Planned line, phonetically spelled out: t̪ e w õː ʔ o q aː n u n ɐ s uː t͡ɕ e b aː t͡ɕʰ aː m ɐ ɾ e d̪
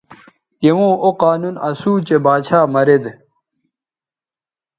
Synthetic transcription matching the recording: t̪ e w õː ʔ o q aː n u n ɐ s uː t͡ɕ e b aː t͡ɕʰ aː m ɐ ɾ e d̪